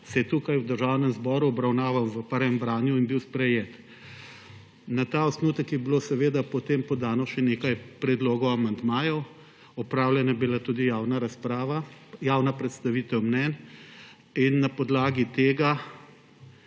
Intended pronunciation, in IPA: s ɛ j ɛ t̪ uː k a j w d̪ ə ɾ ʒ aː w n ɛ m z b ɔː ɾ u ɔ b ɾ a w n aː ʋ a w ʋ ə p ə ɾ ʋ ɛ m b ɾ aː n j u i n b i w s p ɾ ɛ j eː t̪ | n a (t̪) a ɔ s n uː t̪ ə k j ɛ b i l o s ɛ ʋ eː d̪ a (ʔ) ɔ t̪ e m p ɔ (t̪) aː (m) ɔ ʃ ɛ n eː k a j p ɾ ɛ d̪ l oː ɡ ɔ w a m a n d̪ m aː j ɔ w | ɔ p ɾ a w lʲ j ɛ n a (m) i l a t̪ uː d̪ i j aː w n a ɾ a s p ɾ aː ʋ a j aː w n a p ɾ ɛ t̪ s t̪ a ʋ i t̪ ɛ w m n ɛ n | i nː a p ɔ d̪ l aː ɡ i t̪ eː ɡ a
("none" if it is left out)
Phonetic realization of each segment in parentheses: t̪, p, d̪, n, b

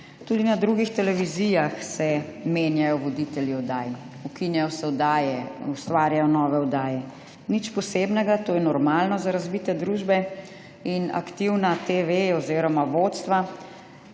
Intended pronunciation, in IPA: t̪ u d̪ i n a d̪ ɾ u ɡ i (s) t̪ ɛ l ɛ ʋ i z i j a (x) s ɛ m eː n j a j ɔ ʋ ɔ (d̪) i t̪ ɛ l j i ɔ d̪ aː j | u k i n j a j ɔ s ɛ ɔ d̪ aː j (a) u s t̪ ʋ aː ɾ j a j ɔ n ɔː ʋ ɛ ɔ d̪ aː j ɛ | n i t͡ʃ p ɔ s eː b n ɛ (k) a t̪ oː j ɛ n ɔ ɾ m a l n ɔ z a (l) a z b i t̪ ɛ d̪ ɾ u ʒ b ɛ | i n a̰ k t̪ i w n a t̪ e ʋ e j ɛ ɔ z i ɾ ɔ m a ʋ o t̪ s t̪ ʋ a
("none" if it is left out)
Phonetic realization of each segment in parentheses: x, x, d̪, ɛ, ɡ, ɾ

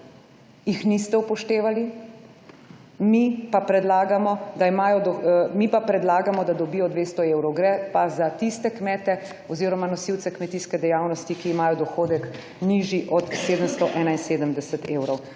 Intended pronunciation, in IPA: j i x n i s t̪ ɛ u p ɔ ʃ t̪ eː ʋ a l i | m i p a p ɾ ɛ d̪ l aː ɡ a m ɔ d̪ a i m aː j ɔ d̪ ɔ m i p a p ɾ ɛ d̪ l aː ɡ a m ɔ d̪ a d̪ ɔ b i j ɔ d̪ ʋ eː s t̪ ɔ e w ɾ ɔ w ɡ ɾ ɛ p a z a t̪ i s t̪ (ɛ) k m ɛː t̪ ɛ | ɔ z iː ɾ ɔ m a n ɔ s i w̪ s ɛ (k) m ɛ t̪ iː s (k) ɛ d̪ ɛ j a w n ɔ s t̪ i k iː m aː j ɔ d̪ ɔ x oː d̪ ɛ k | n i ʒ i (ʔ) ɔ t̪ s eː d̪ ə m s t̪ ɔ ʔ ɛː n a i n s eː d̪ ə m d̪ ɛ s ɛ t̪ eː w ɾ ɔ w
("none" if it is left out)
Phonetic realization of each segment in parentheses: ɛ, k, k, ʔ

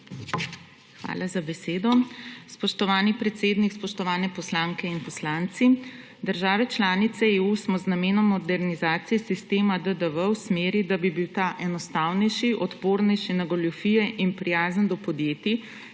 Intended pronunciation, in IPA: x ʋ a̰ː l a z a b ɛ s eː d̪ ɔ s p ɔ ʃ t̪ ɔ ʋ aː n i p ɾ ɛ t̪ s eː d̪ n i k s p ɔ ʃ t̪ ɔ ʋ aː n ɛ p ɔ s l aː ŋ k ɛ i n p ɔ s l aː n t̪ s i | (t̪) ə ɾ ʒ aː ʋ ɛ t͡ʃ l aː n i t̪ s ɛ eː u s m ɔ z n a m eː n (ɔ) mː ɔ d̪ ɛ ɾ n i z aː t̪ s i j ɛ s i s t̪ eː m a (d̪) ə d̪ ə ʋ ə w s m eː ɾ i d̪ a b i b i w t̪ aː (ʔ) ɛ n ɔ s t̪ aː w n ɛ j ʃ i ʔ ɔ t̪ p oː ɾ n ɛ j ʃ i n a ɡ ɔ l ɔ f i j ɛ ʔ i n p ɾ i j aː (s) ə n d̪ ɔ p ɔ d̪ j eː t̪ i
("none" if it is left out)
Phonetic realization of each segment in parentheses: d̪, ɔ, d̪, ʔ, z

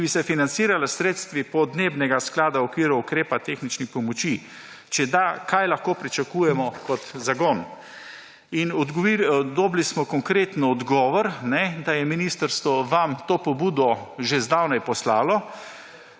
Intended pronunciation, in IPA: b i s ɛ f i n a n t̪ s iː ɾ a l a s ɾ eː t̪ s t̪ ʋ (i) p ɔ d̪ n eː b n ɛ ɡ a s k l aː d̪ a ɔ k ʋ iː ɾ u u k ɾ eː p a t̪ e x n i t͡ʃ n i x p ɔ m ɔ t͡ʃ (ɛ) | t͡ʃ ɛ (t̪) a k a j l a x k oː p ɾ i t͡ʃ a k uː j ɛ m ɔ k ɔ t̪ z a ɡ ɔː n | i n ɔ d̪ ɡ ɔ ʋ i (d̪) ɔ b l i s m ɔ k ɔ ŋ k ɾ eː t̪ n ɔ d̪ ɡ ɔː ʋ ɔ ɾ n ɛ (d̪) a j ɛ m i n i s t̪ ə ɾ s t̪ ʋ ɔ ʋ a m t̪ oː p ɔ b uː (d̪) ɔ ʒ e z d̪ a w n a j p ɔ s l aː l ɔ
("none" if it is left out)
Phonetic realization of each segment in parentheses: i, i, d̪, d̪, d̪, d̪

